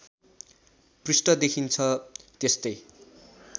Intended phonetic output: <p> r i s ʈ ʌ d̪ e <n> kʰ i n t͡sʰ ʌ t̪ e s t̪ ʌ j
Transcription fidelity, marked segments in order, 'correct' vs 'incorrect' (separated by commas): correct, incorrect